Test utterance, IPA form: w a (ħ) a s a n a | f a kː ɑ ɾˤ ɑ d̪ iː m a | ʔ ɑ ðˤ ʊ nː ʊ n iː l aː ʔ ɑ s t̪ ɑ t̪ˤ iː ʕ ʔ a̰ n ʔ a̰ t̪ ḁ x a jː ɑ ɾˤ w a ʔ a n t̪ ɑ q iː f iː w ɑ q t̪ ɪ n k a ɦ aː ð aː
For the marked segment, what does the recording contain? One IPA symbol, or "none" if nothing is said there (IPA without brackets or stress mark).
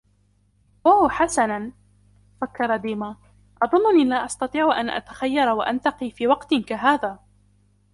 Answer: ħ